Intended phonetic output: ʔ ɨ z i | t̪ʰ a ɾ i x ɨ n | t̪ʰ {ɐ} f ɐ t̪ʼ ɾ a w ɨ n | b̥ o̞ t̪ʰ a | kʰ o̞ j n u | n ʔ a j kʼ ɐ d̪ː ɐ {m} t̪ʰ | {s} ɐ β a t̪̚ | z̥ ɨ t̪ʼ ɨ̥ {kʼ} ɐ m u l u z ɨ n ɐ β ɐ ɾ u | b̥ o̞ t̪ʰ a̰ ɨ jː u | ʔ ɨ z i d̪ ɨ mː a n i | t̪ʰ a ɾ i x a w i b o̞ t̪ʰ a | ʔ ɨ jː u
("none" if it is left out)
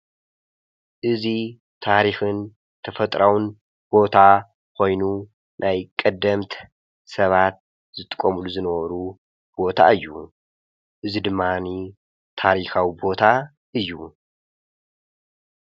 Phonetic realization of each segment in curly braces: ɐ, m, s, kʼ

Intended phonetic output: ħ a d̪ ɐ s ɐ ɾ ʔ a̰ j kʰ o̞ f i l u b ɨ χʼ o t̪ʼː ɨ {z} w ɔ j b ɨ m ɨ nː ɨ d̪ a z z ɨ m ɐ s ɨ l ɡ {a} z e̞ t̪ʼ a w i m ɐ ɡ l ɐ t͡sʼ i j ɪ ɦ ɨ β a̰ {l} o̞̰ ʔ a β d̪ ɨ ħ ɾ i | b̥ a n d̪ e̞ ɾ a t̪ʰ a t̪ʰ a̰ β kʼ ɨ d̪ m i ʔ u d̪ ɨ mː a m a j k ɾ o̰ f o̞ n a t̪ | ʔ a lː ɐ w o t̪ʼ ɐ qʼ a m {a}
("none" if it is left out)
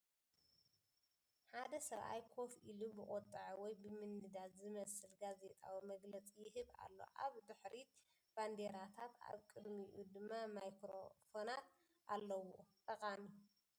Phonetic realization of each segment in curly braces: ʕ, a, lː, i

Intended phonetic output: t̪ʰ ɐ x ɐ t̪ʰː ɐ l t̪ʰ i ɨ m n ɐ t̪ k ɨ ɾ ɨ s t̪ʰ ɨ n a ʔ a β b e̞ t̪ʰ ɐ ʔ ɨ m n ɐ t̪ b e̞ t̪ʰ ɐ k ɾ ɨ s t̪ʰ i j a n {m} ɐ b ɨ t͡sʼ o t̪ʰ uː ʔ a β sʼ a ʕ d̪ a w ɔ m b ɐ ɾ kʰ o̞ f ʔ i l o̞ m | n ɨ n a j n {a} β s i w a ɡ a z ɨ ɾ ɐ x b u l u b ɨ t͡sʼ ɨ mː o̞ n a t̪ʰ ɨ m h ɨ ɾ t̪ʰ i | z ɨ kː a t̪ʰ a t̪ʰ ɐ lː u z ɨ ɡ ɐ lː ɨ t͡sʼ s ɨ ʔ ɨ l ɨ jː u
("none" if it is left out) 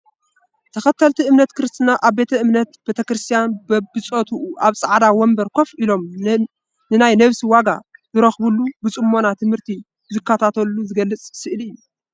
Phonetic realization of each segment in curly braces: b, ɐ

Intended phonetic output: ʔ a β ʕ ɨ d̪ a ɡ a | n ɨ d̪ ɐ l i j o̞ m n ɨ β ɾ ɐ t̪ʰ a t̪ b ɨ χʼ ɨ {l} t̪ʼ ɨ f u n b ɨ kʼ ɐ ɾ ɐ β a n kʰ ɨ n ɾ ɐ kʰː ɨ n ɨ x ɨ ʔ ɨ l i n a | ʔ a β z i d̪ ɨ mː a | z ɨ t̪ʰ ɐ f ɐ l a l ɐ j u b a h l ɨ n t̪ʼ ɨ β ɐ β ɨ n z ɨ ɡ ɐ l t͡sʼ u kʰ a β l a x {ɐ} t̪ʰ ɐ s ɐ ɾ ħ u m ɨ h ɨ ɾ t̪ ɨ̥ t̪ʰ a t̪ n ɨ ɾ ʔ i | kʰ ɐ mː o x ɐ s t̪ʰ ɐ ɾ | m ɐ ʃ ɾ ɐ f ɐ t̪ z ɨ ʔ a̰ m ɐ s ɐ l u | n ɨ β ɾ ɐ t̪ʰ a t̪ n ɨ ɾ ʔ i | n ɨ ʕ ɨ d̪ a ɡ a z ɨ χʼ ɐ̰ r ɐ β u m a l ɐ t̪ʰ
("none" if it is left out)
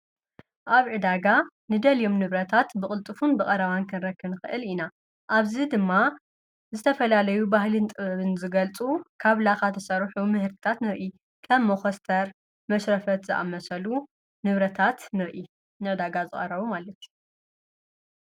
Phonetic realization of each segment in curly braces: l, a

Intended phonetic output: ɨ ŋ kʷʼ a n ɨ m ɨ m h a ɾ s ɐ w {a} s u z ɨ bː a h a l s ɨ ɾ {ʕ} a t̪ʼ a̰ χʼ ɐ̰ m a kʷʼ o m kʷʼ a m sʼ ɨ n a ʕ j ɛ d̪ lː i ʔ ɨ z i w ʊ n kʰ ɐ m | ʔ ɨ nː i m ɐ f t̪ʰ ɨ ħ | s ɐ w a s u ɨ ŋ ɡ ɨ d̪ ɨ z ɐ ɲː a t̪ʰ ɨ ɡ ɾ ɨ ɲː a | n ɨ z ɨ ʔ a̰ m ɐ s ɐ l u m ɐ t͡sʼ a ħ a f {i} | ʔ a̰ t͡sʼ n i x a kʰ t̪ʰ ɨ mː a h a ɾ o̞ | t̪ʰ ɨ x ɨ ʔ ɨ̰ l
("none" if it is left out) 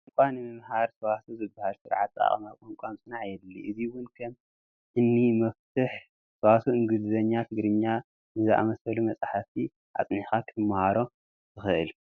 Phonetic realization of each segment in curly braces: a, ʕ, i

